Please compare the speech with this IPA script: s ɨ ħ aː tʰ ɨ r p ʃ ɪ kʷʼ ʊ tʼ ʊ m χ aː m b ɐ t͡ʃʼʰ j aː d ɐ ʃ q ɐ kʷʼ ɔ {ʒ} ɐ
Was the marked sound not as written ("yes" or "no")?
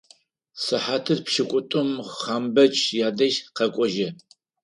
no